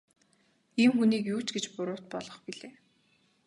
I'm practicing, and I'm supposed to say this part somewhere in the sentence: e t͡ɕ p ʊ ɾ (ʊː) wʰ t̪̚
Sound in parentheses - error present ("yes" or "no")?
no